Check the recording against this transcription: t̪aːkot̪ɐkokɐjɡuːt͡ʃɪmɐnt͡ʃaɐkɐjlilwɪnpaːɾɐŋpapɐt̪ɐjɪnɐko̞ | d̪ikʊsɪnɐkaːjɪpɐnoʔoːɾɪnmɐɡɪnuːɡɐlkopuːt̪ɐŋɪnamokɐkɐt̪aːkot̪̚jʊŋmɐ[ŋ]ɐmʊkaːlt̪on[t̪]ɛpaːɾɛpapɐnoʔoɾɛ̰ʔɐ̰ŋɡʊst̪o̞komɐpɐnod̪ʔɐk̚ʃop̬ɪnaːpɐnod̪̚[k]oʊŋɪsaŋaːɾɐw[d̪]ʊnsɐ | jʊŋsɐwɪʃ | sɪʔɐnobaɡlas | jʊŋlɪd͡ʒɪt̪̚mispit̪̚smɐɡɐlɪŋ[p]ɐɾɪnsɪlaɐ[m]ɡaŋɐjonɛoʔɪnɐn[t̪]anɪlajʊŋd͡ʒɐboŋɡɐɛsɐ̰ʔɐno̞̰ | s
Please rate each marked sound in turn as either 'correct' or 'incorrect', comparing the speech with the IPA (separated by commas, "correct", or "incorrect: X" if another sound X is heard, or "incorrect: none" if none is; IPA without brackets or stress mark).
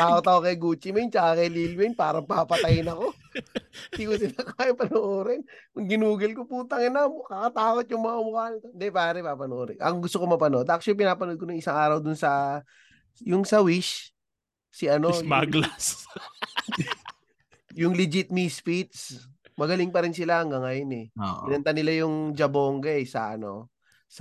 correct, incorrect: d̪, correct, correct, correct, incorrect: ŋ, correct